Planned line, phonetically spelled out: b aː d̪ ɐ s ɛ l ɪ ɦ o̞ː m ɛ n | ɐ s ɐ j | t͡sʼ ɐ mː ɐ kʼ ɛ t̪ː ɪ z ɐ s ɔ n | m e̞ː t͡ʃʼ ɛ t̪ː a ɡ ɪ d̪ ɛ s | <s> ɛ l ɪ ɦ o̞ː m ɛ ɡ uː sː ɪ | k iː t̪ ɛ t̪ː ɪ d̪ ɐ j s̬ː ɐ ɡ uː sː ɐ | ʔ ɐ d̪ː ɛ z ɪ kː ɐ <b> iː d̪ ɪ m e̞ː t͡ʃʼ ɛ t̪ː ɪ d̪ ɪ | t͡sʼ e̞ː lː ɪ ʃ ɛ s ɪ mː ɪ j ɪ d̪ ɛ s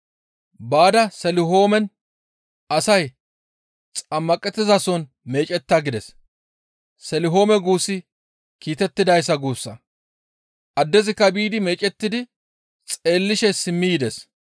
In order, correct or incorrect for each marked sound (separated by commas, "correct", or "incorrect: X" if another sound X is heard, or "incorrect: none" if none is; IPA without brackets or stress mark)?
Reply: correct, correct